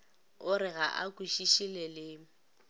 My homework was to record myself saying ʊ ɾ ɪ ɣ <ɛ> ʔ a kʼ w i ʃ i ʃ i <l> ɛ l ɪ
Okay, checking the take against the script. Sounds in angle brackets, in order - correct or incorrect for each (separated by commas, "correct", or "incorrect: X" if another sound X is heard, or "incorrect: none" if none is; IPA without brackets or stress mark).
incorrect: a, correct